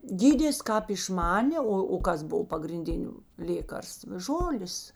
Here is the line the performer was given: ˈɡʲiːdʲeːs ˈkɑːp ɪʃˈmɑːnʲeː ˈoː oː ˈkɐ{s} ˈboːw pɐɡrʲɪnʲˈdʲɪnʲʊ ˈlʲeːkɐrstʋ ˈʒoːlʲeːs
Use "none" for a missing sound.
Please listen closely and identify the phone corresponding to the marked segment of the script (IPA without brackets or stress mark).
s